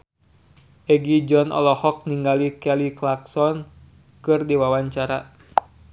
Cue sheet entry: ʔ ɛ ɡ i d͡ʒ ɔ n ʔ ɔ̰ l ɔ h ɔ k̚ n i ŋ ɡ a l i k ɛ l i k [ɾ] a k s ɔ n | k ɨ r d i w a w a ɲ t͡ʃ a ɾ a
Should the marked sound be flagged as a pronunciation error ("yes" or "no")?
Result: yes